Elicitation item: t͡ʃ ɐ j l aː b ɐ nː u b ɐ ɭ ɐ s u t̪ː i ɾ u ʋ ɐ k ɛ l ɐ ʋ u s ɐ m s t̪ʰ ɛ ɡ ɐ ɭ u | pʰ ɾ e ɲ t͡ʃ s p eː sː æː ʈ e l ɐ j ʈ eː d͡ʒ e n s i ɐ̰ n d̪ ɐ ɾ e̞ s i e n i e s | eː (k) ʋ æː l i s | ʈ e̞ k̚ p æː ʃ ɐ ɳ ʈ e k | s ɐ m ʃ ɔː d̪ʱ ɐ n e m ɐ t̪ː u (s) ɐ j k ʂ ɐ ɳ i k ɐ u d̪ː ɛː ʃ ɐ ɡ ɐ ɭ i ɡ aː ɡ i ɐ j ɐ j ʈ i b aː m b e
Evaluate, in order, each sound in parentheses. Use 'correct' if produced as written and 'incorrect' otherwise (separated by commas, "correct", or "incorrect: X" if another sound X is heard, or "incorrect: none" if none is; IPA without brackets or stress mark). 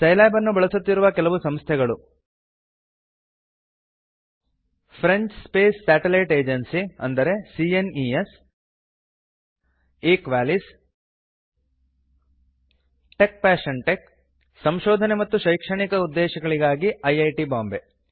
correct, incorrect: ʃ